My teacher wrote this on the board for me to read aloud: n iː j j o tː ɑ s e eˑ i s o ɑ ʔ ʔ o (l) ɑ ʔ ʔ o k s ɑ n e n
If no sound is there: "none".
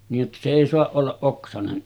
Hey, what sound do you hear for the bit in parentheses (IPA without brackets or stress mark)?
lː